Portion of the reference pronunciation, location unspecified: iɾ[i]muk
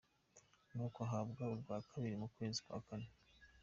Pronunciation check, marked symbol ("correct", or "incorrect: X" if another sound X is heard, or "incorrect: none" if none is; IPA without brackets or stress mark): correct